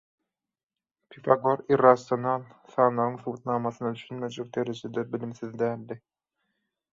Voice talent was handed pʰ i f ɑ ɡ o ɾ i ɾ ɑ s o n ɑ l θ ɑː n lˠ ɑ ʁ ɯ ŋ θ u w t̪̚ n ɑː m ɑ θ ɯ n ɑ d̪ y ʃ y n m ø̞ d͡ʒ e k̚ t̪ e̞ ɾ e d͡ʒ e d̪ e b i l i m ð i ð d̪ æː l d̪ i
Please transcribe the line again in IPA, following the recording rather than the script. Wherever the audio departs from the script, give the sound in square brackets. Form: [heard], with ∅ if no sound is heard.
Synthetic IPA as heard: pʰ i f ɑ ɡ o ɾ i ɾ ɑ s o n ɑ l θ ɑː n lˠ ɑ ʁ ɯ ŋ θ u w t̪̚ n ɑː m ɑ θ ɯ n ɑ d̪ y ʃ y n m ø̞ d͡ʒ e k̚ [d̪] e̞ ɾ e d͡ʒ e d̪ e b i l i m [θ] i ð d̪ æː l d̪ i